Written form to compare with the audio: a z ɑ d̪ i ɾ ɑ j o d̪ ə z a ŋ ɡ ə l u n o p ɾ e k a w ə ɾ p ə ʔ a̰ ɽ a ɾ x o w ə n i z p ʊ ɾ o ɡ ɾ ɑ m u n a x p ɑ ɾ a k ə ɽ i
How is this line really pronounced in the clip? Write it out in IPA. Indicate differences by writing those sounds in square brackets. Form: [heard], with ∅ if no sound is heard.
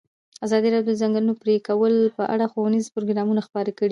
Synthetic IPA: a z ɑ d̪ i ɾ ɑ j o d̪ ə z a ŋ ɡ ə l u n o p ɾ e k a w ə [l] p ə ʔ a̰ ɽ a [∅] x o w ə n i z p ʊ ɾ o ɡ ɾ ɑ m u n a x p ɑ ɾ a k ə ɽ i